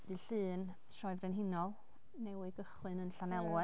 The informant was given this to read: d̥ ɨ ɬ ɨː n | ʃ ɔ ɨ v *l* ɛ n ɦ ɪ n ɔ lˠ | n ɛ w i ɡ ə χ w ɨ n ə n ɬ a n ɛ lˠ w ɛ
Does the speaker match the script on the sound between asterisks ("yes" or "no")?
no